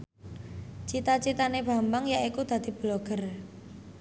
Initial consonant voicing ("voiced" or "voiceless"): voiceless